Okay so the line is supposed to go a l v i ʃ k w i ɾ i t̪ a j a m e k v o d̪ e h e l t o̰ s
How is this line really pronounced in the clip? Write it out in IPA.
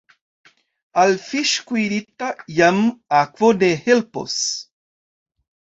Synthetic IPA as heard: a l f i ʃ k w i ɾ i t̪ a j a m a k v o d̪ e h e l p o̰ s